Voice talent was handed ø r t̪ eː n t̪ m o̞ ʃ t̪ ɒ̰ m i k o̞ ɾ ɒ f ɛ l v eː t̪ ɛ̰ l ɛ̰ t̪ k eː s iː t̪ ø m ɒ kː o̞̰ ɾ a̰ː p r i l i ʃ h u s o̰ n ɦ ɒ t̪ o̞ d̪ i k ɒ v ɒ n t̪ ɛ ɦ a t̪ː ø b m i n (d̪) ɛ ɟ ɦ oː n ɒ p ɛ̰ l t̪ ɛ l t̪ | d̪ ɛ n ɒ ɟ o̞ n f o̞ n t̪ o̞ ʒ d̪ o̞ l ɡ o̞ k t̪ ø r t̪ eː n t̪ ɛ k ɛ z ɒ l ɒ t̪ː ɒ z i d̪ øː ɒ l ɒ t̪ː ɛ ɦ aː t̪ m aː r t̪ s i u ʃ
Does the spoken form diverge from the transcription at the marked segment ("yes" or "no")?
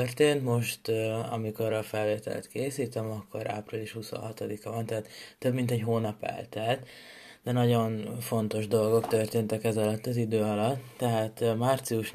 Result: yes